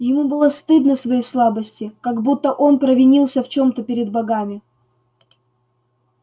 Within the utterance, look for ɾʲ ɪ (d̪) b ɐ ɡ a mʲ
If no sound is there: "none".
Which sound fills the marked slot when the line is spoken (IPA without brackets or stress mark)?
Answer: d̪